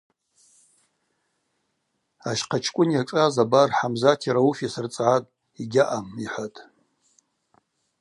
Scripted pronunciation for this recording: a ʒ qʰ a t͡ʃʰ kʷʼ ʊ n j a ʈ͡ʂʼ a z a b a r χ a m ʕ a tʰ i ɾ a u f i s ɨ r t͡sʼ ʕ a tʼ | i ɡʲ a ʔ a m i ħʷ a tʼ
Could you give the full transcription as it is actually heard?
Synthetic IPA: a ʃ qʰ a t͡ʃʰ kʷʼ ʊ n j a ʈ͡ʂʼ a z a b a r ħ a m z a tʰ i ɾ a u f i s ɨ r t͡sʼ ʕ a tʼ | i ɡʲ a ʔ a m i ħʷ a tʼ

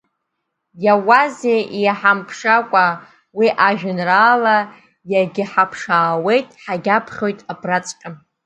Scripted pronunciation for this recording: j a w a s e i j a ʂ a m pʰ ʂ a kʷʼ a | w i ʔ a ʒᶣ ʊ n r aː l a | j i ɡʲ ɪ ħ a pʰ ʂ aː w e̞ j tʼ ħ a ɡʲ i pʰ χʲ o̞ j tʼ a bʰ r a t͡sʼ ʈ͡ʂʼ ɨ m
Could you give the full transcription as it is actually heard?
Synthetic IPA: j a w a z e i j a ħ a m pʰ ʂ a kʷʼ a | w i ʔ a ʒᶣ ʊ n r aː l a | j a ɡʲ ɪ ħ a pʰ ʂ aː w e̞ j tʼ ħ a ɡʲ a pʰ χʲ o̞ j tʼ a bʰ r a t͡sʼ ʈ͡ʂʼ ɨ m

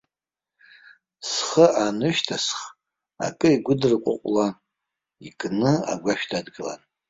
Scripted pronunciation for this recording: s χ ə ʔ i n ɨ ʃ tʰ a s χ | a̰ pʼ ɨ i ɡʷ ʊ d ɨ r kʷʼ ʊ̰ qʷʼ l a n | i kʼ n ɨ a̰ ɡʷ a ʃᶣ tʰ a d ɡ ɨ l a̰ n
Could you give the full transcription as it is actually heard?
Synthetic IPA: s χ ə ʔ a n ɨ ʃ tʰ a s χ | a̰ kʼ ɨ i ɡʷ ʊ d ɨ r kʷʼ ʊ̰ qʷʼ l a n | i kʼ n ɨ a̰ ɡʷ a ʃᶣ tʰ a d ɡ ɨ l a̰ n

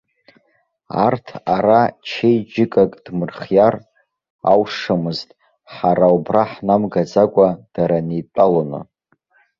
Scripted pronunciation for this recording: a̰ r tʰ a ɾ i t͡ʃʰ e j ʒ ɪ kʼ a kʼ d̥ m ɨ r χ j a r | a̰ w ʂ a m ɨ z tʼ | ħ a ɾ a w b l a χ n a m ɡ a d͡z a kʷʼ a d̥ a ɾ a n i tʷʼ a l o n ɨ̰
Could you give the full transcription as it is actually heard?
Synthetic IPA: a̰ r tʰ a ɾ a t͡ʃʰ e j d͡ʒ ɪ kʼ a kʼ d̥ m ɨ r χ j a r | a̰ w ʂ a m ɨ z tʼ | ħ a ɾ a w b r a ħ n a m ɡ a d͡z a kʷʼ a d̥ a ɾ a n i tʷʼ a l o n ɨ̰

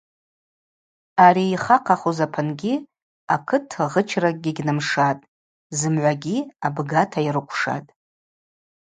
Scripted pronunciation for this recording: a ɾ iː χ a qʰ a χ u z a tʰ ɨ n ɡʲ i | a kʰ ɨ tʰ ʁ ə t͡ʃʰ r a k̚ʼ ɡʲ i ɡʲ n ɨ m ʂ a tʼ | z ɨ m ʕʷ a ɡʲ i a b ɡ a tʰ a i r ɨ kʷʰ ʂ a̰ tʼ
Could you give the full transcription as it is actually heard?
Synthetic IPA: a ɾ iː χ a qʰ a χ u z a pʰ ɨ n ɡʲ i | a kʰ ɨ tʰ ʁ ə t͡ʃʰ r a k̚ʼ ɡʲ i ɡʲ n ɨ m ʂ a tʼ | z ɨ m ʕʷ a ɡʲ i a b ɡ a tʰ a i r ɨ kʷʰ ʂ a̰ tʼ

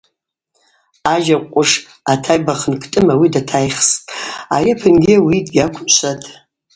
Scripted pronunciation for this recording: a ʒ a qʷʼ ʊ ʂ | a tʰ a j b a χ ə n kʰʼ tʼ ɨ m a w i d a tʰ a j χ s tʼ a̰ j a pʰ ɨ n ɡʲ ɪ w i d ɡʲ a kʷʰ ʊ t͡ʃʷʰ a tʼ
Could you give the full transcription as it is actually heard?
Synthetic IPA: a ʒ a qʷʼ ʊ ʂ | a tʰ a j b a χ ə n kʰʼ tʼ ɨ m a w i d a tʰ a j χ s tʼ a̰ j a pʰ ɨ n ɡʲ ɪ w i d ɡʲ a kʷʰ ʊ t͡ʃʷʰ a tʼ

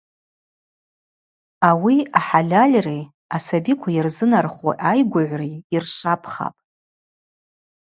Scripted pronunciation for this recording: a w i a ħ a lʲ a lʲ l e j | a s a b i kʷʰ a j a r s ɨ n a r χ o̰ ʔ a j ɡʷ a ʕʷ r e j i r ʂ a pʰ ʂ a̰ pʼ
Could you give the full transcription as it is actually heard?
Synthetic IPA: a w i a ħ a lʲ a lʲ r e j | a s a b i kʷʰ a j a r z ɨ n a r χ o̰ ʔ a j ɡʷ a ʕʷ r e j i r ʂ a pʰ χ a̰ pʼ

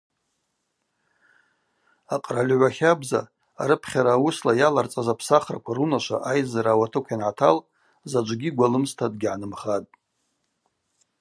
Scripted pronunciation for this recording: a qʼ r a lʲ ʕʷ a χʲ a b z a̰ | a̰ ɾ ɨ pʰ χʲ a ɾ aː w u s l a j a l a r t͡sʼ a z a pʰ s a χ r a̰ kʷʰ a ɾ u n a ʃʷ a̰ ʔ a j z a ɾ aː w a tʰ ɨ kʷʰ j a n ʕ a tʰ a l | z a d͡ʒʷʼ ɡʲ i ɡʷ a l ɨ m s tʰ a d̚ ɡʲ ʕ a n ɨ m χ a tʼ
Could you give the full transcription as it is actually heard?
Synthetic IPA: a qʼ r a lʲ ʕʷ a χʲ a b z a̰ | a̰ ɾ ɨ pʰ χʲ a ɾ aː w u s l a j a l a r t͡sʼ a z a pʰ s a χ r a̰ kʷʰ a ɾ u n a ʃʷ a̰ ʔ a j z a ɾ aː w a tʰ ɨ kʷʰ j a n ʕ a tʰ a l | z a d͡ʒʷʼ ɡʲ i ɡʷ a l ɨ m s tʰ a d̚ ɡʲ ʕ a n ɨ m χ a tʼ

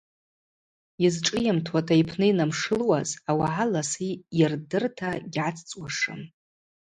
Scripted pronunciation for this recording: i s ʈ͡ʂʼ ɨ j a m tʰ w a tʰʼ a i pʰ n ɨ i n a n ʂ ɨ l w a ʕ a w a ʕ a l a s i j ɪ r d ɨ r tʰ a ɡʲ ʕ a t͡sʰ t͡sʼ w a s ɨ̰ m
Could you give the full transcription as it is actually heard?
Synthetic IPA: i z ʈ͡ʂʼ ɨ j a m tʰ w a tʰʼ a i pʰ n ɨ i n a m ʂ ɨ l w a z a w a ʕ a l a s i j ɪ r d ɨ r tʰ a ɡʲ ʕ a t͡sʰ t͡sʼ w a ʂ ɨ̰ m

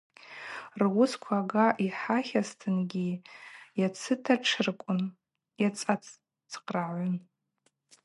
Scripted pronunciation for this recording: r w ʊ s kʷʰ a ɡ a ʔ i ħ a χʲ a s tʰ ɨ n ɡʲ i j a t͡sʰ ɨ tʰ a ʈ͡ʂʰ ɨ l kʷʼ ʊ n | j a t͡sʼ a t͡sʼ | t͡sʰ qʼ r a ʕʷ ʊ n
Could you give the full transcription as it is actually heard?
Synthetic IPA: r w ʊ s kʷʰ a ɡ a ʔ i ħ a χʲ a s tʰ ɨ n ɡʲ i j a t͡sʰ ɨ tʰ a ʈ͡ʂʰ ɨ r kʷʼ ʊ n | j a t͡sʼ a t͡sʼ | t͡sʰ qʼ r a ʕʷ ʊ n

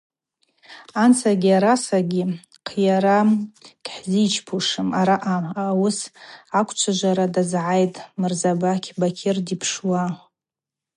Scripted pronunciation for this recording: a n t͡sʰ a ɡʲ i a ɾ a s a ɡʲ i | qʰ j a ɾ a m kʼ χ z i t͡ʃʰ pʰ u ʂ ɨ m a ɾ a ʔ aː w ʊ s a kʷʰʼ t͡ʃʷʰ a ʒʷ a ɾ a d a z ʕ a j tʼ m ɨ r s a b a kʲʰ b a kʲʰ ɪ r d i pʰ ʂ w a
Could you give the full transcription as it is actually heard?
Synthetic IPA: a n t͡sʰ a ɡʲ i a ɾ a s a ɡʲ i | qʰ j a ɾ a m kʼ ħ z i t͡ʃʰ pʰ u ʂ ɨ m a ɾ a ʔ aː w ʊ s a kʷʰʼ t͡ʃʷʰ a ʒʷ a ɾ a d a z ʕ a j tʼ m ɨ r z a b a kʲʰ b a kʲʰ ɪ r d i pʰ ʂ w a

